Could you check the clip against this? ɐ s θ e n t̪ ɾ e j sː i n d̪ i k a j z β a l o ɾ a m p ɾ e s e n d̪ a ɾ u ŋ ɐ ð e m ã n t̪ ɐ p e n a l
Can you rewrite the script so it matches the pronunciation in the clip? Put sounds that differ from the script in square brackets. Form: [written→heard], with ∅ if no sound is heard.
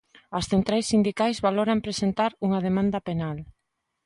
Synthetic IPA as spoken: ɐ s θ e n t̪ ɾ [e→a] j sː i n d̪ i k a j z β a l o ɾ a m p ɾ e s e n [d̪→t̪] a ɾ u ŋ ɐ ð e m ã n [t̪→d̪] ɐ p e n a l